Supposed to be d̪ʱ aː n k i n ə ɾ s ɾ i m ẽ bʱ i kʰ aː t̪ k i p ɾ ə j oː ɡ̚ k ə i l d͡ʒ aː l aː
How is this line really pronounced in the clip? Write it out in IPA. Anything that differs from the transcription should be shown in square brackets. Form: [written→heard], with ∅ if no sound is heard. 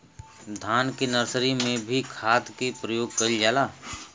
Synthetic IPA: d̪ʱ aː n k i n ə ɾ s ɾ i m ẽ bʱ i kʰ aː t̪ k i p ɾ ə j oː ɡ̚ k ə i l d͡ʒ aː l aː

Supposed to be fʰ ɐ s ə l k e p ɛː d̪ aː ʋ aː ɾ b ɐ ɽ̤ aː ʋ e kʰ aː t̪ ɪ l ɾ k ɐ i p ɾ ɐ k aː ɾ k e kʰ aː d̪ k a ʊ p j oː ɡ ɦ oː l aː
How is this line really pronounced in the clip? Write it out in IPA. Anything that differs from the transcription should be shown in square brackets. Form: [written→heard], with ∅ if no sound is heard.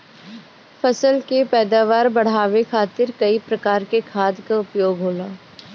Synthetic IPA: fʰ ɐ s ə l k e p ɛː d̪ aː ʋ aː ɾ b ɐ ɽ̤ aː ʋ e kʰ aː t̪ ɪ [l→∅] ɾ k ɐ i p ɾ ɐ k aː ɾ k e kʰ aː d̪ k a ʊ p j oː ɡ ɦ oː l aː

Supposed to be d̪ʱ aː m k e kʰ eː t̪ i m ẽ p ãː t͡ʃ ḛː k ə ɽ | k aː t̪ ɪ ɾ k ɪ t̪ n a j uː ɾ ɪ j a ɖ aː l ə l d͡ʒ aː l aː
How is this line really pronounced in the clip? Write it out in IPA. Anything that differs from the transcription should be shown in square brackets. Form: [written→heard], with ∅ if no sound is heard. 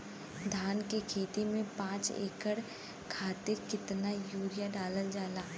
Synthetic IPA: d̪ʱ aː [m→n] k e kʰ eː t̪ i m ẽ p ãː t͡ʃ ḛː k ə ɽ | [k→kʰ] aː t̪ ɪ ɾ k ɪ t̪ n a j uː ɾ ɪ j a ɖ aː l ə l d͡ʒ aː l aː

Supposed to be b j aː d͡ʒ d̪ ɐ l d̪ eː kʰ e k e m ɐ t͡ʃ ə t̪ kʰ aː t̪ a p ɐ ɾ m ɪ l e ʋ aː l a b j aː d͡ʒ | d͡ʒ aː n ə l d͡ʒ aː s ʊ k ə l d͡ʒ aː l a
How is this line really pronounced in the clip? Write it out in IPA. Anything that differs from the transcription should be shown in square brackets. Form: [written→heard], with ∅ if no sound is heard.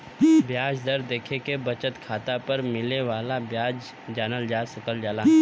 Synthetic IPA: b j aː d͡ʒ d̪ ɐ [l→ɾ] d̪ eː kʰ e k e [m→b] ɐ t͡ʃ ə t̪ kʰ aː t̪ a p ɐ ɾ m ɪ l e ʋ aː l a b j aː d͡ʒ | d͡ʒ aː n ə l d͡ʒ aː s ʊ k ə l d͡ʒ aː l a

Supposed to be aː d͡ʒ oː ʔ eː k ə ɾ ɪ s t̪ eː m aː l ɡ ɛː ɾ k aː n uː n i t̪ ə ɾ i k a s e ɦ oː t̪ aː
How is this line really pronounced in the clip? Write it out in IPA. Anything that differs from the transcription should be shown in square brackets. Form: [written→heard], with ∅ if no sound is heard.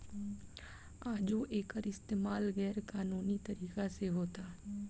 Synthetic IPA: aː d͡ʒ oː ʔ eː k ə ɾ ɪ s t̪ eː m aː l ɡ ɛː ɾ k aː n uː n i t̪ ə ɾ [i→iː] k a s e ɦ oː t̪ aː

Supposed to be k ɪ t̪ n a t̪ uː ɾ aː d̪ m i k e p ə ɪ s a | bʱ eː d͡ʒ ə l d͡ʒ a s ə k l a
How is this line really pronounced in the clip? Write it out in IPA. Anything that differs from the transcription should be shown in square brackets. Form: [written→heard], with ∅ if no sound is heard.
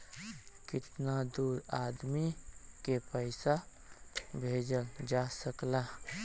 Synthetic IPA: k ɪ t̪ n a [t̪→d̪] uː ɾ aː d̪ m i k e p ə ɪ s a | bʱ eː d͡ʒ ə l d͡ʒ a s ə k l a

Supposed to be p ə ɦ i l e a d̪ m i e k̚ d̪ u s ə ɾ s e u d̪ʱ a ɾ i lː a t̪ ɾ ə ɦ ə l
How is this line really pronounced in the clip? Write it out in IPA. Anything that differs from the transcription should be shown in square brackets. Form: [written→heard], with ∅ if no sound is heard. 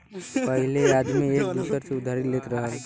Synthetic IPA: p ə ɦ i l e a d̪ m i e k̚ d̪ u s ə ɾ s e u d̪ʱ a ɾ i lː [a→e] t̪ ɾ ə ɦ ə l

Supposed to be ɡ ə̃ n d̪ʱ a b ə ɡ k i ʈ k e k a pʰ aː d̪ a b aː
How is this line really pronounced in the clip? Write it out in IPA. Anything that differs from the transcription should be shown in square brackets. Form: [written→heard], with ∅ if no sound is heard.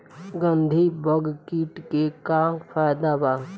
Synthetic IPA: ɡ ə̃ n d̪ʱ [a→i] b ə ɡ k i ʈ k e k a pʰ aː d̪ a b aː

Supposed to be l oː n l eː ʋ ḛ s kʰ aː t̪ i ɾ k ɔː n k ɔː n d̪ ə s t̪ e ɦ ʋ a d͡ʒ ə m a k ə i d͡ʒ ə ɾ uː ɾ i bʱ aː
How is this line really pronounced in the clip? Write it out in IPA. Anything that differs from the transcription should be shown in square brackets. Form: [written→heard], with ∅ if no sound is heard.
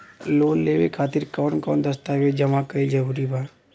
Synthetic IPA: l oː n l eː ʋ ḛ [s→∅] kʰ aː t̪ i ɾ k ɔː n k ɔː n d̪ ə s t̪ [e→a] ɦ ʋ [a→e] d͡ʒ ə m a k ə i d͡ʒ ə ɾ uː ɾ i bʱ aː

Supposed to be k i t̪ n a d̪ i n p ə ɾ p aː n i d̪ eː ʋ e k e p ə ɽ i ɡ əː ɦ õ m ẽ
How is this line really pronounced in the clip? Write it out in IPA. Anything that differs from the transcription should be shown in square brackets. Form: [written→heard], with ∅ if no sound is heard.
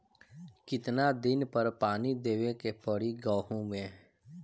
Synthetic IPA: k [i→ɪ] t̪ n a d̪ [i→ɪ] n p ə ɾ p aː n i d̪ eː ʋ e k e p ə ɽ i ɡ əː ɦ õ m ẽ

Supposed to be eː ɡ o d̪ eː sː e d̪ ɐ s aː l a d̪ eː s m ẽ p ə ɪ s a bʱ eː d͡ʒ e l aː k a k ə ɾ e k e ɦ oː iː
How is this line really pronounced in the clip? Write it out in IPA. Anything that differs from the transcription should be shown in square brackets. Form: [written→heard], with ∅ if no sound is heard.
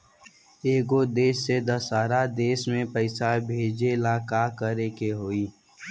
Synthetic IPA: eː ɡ o d̪ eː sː e d̪ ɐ s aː [l→ɾ] a d̪ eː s m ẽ p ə ɪ s a bʱ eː d͡ʒ e l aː k a k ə ɾ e k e ɦ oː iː

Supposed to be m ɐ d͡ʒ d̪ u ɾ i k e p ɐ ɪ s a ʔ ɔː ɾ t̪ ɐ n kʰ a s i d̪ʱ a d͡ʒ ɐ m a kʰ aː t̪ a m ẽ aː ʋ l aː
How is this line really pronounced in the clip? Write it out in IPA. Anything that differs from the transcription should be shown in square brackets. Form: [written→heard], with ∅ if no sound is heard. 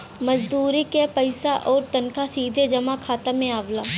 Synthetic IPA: m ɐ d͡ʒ d̪ [u→uː] ɾ i k e p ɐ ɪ s a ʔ ɔː ɾ t̪ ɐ n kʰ a s [i→iː] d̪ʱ [a→e] d͡ʒ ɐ m a kʰ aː t̪ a m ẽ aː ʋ l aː

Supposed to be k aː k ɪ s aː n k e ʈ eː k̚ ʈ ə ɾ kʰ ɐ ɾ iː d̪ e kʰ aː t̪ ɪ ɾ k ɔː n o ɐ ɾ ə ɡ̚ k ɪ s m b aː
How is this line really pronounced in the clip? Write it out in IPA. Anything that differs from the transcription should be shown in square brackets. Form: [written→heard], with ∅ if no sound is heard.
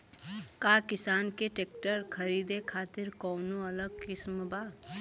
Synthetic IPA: k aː k ɪ s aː n k e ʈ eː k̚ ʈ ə ɾ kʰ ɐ ɾ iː d̪ e kʰ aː t̪ ɪ ɾ k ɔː n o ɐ [ɾ→l] ə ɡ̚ k ɪ s m b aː

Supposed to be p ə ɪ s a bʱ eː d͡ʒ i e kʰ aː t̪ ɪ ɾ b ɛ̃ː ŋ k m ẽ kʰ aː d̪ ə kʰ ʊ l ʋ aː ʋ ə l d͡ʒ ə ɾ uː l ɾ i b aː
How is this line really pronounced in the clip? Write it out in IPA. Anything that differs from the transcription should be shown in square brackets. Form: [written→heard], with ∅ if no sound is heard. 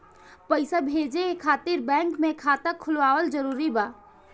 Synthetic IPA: p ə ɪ s a bʱ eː d͡ʒ [i→e] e kʰ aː t̪ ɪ ɾ b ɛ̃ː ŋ k m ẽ kʰ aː [d̪→t̪] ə kʰ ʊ l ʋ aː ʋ ə l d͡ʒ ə ɾ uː [l→∅] ɾ i b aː

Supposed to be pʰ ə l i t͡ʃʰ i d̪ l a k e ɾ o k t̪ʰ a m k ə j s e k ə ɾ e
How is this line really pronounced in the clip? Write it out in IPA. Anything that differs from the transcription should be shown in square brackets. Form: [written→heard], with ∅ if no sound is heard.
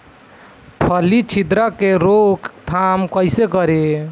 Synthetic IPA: pʰ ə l i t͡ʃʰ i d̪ [l→ɾ] a k e ɾ o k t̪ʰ a m k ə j s e k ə ɾ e

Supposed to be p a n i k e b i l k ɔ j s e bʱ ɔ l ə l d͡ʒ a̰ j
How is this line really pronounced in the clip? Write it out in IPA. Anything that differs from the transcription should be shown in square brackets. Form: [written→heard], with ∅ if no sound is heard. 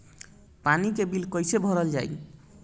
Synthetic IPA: p a n i k e b i l k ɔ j s e bʱ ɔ [l→ɾ] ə l d͡ʒ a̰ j

